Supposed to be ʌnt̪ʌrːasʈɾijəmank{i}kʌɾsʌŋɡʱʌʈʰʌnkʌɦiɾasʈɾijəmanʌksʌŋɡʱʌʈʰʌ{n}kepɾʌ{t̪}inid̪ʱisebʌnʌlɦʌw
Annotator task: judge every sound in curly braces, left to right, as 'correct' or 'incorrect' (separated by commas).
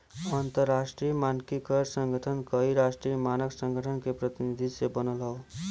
correct, correct, correct